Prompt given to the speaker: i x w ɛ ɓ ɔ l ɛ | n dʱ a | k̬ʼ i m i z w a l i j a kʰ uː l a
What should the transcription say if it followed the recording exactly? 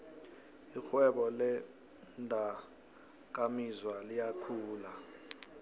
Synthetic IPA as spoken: i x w ɛ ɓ ɔ l ɛ | n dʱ a | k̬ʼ a m i z w a l i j a kʰ uː l a